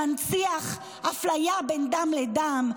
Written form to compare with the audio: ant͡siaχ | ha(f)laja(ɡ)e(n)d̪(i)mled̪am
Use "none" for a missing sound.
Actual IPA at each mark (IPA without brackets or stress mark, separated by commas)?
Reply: f, b, n, a